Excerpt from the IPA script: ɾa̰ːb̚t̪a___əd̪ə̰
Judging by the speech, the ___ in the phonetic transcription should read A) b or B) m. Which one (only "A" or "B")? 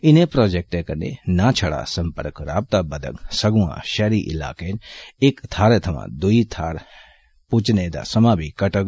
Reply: A